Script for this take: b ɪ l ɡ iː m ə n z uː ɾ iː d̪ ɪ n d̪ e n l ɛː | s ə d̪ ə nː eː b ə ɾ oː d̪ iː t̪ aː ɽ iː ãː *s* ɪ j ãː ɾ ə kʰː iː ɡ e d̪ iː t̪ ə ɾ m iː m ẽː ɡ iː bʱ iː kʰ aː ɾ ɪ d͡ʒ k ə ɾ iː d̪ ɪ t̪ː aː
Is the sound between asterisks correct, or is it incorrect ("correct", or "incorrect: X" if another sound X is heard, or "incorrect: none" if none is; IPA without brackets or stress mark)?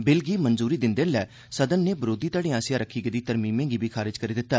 correct